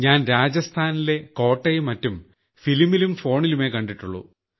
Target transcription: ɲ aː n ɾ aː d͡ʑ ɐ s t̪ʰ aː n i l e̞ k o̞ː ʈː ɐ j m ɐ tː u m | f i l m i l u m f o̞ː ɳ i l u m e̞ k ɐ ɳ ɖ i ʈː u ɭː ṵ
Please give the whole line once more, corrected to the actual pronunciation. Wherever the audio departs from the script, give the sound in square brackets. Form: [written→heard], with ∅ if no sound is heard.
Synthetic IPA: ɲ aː n ɾ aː d͡ʑ ɐ s t̪ʰ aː n i l e̞ k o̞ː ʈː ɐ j m ɐ tː u m | f i l m i l u m f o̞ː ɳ i l u m e̞ k ɐ ɳ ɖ i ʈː u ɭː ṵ